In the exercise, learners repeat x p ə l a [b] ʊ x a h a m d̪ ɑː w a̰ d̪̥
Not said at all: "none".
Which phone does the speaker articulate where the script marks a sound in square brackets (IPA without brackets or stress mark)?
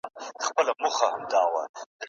m